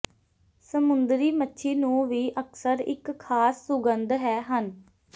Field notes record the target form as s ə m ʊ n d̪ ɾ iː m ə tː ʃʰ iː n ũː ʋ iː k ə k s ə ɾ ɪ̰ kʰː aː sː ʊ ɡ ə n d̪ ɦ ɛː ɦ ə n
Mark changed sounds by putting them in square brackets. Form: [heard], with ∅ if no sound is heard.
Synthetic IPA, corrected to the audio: s ə m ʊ n d̪ ɾ iː m ə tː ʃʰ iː n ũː ʋ iː [ʔ] ə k s ə ɾ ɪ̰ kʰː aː sː ʊ ɡ ə n d̪ ɦ ɛː ɦ ə n